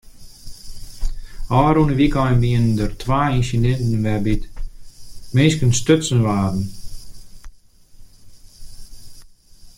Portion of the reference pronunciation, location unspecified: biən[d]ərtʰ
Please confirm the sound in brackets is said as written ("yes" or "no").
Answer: yes